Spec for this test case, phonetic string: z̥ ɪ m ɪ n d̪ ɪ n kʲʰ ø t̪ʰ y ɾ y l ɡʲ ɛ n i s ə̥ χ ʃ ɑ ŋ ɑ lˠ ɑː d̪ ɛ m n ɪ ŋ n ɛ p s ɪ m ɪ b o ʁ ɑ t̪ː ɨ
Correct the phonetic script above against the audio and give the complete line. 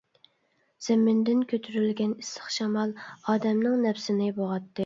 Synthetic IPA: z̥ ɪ m ɪ n d̪ ɪ n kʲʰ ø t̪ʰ y ɾ y l ɡʲ ɛ n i s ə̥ χ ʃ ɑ m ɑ lˠ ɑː d̪ ɛ m n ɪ ŋ n ɛ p s ɪ n ɪ b o ʁ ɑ t̪ː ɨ